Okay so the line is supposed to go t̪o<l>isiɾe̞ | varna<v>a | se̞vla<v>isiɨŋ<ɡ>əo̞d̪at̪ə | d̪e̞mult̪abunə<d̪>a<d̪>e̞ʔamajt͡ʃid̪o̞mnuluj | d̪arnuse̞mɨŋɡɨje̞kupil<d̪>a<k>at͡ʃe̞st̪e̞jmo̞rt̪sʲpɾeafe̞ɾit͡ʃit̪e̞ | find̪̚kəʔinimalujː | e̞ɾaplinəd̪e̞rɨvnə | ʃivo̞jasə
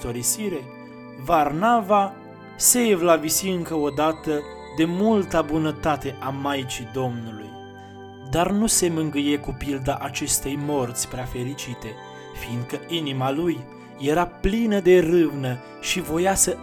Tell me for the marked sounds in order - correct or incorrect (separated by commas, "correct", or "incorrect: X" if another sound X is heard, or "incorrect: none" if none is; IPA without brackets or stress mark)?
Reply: incorrect: ɾ, correct, correct, incorrect: k, incorrect: t̪, incorrect: t̪, correct, incorrect: ʔ